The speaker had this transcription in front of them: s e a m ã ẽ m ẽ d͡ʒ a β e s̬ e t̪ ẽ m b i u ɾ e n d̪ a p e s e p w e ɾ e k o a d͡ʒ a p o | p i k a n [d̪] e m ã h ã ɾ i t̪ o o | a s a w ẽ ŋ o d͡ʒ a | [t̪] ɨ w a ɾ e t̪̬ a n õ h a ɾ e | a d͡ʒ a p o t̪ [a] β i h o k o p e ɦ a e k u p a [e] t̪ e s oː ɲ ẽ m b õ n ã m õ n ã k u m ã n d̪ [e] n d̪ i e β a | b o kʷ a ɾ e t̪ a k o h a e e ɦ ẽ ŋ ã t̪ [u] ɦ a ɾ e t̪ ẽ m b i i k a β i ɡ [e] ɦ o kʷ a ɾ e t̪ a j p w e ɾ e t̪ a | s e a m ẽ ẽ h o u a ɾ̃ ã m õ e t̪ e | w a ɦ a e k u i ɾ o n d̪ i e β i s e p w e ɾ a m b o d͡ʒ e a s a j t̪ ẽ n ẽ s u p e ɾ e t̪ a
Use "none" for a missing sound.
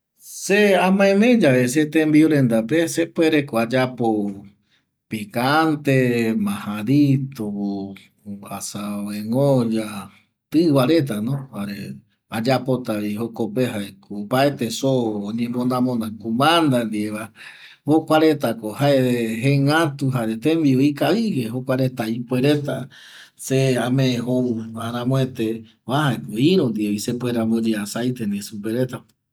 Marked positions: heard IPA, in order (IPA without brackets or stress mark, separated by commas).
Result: t̪, t̪, a, e, a, u, e